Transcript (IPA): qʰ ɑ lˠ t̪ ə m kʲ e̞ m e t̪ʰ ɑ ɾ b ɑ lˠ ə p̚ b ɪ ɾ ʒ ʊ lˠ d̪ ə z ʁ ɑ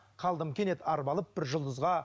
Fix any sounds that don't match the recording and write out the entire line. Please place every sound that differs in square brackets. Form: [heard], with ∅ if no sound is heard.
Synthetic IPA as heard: qʰ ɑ lˠ [d̪] ə m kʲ e̞ [n] e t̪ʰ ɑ ɾ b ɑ lˠ ə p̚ b ɪ ɾ ʒ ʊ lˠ d̪ ə z ʁ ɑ